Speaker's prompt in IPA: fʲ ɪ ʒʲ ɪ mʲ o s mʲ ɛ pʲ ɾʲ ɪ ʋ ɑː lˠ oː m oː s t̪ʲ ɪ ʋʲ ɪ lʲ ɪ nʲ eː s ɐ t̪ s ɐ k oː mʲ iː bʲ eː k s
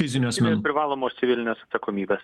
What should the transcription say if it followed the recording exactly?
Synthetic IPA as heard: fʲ ɪ zʲ ɪ nʲ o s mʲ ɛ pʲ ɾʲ ɪ ʋ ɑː lˠ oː m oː s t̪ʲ ɪ ʋʲ ɪ lʲ ɪ nʲ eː s ɐ t̪ s ɐ k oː mʲ iː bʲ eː s